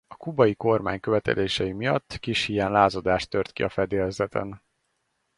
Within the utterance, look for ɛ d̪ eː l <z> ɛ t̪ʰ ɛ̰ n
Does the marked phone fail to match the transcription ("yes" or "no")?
no